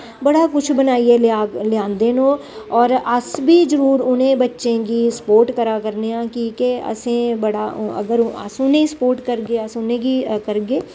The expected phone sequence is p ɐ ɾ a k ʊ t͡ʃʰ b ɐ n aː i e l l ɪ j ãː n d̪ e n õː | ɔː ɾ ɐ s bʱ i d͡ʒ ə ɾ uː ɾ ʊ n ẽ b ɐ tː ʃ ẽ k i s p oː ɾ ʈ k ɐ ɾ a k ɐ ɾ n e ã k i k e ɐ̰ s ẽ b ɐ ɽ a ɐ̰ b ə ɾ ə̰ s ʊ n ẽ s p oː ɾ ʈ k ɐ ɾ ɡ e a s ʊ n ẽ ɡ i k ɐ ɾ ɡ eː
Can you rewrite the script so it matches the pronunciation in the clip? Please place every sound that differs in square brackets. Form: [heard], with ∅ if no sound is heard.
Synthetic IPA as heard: [b] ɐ [ɽ] a k ʊ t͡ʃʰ b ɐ n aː i e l l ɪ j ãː n d̪ e n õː | ɔː ɾ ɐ s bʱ i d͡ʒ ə ɾ uː ɾ ʊ n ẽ b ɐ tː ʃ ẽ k i s p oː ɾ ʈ k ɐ ɾ a k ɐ ɾ n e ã k i k e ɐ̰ s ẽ b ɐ ɽ a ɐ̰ [ɡ] ə ɾ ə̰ s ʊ n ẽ s p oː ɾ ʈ k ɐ ɾ ɡ e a s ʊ n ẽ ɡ i k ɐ ɾ ɡ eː